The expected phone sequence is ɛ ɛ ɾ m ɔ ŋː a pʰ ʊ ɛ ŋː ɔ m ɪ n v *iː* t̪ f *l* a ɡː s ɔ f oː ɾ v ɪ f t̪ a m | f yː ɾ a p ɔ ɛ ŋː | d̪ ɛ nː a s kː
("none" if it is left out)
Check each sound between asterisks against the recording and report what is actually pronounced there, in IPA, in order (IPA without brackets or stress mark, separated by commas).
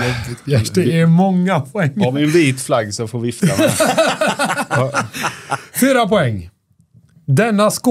iː, l